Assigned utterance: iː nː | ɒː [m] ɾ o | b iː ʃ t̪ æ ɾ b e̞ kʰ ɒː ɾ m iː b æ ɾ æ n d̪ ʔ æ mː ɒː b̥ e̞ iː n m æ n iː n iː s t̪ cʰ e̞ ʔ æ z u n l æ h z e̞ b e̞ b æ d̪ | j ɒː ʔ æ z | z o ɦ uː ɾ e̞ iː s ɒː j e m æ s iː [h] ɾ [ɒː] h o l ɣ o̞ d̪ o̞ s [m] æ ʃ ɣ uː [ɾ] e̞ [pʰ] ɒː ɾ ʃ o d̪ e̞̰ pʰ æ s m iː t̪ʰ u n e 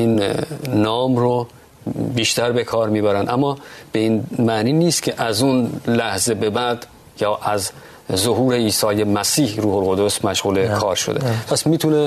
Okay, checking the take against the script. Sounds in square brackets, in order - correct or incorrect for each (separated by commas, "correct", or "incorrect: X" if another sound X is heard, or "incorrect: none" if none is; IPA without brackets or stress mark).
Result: correct, correct, incorrect: uː, correct, incorrect: l, incorrect: kʰ